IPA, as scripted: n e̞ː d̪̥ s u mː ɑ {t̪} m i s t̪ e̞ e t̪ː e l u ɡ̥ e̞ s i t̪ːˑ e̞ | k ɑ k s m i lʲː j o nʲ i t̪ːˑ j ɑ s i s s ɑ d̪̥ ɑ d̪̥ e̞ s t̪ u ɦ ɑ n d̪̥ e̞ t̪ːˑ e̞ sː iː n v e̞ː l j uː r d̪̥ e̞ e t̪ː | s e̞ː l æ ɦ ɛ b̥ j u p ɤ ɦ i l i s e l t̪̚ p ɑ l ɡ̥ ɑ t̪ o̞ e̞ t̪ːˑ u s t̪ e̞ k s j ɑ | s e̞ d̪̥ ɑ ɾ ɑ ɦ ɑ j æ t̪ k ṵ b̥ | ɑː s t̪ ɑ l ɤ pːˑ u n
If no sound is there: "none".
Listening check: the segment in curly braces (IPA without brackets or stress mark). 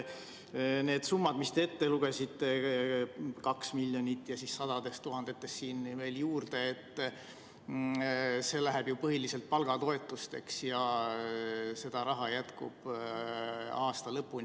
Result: d̪